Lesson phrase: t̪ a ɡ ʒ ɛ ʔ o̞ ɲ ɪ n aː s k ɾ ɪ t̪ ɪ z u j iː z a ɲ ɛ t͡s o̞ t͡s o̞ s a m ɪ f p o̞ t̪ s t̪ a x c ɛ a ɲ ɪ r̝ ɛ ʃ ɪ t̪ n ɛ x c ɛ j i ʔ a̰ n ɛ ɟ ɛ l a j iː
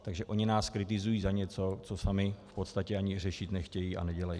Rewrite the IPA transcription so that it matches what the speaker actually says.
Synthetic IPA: t̪ a ɡ ʒ ɛ ʔ o̞ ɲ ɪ n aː s k ɾ ɪ t̪ ɪ z u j iː z a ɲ ɛ t͡s o̞ t͡s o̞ s a m ɪ f p o̞ t̪ s t̪ a c ɛ a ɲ ɪ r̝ ɛ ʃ ɪ t̪ n ɛ x c ɛ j i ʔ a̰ n ɛ ɟ ɛ l a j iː